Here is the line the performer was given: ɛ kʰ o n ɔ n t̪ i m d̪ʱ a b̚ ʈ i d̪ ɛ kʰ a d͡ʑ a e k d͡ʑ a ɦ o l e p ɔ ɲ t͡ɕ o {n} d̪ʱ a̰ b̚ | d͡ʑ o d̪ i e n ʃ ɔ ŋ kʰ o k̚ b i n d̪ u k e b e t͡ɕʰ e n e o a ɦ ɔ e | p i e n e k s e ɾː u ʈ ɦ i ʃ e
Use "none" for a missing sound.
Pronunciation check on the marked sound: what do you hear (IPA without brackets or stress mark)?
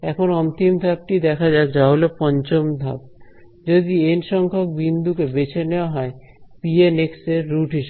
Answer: m